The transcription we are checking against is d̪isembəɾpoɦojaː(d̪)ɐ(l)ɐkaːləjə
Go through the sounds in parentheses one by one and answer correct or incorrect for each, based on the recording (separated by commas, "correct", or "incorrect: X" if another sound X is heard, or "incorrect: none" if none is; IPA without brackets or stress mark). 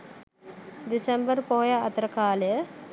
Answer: incorrect: t̪, incorrect: ɾ